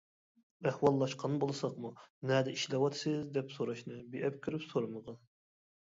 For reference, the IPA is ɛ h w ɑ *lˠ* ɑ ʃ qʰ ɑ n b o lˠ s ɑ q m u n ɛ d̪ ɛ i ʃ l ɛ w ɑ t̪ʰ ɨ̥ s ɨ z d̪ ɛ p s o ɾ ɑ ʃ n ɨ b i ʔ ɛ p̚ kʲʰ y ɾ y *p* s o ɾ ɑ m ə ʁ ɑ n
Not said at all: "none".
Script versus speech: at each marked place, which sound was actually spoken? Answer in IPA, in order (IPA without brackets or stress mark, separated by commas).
lˠː, p